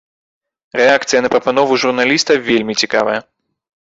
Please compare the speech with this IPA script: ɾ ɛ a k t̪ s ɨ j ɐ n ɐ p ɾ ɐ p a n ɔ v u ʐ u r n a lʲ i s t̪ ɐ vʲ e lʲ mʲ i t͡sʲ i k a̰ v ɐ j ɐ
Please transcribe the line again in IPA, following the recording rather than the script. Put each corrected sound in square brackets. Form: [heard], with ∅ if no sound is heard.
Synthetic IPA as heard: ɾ ɛ a k t̪ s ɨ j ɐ n ɐ p ɾ ɐ p a n ɔ v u ʐ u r n a lʲ i s t̪ ɐ vʲ e lʲ mʲ i t͡sʲ i k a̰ v ɐ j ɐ